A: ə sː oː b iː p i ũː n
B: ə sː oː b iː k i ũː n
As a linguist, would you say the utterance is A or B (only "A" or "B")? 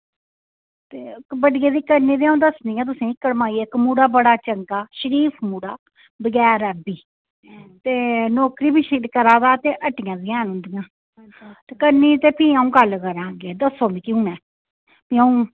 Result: B